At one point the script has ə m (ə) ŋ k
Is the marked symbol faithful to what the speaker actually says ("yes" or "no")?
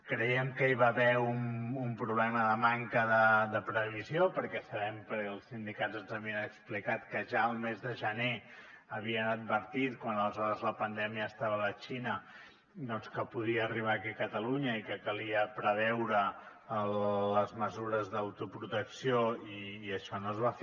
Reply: no